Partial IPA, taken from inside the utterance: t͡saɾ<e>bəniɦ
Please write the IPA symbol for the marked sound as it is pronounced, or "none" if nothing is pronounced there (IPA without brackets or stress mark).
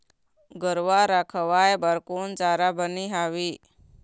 a